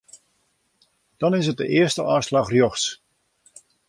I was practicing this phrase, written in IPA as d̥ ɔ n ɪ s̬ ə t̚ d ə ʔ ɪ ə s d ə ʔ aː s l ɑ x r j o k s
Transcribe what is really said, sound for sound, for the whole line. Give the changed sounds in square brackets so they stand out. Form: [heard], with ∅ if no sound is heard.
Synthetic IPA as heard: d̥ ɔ n ɪ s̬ ə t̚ d ə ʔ ɪ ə s [t] ə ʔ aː s l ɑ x r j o [x] s

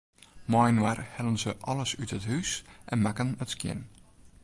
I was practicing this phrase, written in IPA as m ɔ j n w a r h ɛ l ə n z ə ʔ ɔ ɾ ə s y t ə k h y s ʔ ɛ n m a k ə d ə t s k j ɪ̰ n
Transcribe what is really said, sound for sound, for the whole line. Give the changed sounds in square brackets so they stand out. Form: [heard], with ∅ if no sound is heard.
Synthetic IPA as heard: m ɔ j n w a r h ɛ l ə n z ə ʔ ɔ [l] ə s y t ə [t] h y s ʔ ɛ n m a k ə [n] ə t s k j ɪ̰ n

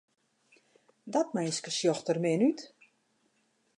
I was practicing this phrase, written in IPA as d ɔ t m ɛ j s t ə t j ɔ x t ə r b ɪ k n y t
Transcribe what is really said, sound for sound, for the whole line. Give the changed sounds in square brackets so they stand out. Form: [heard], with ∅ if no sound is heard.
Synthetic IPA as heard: d ɔ t m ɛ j s [k] ə [s] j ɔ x t ə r [m] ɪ [∅] n y t

